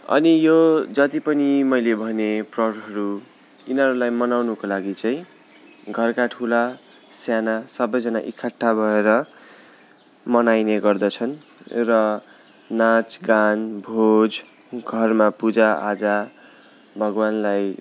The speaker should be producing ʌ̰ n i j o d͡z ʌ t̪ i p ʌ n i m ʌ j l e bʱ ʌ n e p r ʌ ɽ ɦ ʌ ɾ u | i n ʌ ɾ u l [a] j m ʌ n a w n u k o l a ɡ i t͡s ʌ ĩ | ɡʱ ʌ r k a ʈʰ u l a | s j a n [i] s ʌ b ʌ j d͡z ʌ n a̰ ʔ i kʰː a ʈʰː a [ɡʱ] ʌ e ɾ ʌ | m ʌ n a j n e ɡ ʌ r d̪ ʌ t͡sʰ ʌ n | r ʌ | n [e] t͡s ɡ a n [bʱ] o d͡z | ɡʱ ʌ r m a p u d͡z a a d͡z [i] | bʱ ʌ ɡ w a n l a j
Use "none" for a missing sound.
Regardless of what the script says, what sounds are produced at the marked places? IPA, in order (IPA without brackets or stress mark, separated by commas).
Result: a, a, bʱ, a, bʱ, a